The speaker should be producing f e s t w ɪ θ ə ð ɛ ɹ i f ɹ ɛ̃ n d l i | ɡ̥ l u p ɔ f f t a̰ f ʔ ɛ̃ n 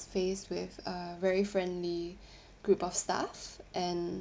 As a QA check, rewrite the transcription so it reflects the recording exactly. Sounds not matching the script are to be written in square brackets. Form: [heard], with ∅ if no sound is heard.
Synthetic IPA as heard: f e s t w ɪ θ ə [v] ɛ ɹ i f ɹ ɛ̃ n d l i | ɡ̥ [ɹ] u p ɔ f [s] t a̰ f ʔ ɛ̃ n